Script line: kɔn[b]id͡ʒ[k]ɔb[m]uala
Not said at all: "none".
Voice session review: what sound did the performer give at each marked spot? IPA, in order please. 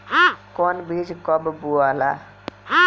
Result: b, k, b

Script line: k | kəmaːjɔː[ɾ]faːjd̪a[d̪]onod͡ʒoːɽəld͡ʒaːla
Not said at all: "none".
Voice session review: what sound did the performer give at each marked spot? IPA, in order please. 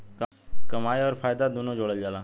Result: ɾ, d̪

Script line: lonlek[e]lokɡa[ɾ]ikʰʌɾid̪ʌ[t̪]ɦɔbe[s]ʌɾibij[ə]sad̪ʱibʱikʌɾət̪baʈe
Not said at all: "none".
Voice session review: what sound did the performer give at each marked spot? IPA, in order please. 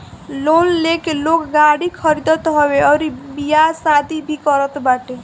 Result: e, ɽ, t̪, none, a

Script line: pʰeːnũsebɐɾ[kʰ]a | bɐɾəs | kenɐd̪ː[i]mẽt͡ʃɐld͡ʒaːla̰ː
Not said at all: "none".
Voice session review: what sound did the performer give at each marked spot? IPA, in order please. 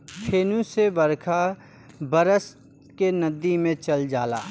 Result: kʰ, i

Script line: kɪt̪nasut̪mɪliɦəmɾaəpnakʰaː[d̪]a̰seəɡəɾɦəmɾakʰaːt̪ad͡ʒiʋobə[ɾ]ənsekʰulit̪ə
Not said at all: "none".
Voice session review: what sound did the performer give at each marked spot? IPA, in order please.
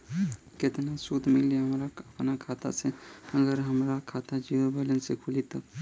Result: t̪, l

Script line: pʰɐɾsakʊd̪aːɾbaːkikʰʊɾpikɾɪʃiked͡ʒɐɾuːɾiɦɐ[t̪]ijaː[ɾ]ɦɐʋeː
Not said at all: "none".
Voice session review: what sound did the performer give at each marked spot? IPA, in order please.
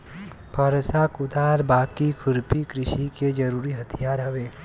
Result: t̪ʰ, ɾ

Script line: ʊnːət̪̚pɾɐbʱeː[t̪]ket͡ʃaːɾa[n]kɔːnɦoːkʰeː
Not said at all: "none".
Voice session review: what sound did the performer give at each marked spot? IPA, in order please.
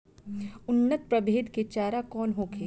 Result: d̪, none

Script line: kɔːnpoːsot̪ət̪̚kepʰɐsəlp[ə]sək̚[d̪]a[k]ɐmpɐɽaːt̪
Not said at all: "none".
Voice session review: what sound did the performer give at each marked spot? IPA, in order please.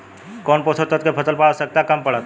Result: a, t̪, k

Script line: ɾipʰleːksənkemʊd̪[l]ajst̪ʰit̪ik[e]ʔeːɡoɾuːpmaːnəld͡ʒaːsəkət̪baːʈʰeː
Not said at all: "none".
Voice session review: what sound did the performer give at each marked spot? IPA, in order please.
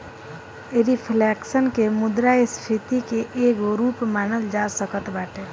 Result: ɾ, e

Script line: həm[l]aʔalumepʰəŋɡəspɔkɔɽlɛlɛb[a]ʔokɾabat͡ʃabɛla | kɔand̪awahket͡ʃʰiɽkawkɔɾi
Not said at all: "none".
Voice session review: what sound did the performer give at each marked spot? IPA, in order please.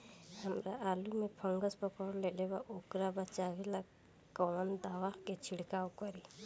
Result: ɾ, a

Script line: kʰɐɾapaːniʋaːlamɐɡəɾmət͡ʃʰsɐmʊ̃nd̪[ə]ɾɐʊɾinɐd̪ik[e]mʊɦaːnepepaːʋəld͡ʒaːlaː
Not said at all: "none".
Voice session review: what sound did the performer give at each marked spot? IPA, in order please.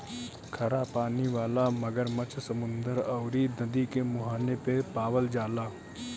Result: ə, e

